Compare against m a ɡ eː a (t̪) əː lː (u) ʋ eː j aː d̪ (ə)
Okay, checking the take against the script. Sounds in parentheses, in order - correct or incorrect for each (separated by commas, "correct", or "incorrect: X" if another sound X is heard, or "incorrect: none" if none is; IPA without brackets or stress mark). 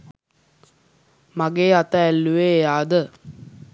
correct, correct, correct